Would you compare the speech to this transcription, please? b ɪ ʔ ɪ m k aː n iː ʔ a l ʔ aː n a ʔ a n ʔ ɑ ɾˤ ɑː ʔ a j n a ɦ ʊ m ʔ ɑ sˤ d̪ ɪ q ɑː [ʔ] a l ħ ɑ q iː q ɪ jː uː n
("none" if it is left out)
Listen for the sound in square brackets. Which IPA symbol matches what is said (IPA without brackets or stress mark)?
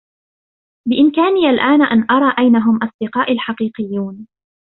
ʔ